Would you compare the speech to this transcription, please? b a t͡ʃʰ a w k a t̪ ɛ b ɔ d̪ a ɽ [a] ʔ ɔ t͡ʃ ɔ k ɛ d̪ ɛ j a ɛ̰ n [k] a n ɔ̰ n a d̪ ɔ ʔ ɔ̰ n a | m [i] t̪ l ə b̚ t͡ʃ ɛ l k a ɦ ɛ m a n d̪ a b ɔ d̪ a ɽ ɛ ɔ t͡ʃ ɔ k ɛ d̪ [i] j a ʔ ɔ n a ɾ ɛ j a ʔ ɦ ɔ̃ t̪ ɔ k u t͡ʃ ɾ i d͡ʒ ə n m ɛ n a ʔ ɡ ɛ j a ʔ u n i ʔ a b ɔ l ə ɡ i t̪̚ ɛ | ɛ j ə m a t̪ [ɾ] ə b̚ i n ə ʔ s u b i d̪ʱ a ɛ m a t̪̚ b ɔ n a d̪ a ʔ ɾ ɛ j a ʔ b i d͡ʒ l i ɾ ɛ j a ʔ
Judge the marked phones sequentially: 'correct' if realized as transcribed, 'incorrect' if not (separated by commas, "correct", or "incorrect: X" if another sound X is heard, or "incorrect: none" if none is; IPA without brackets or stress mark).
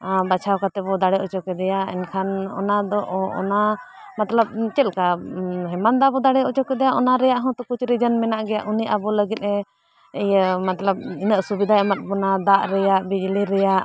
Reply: incorrect: ɛ, incorrect: kʰ, incorrect: a, incorrect: ɛ, incorrect: l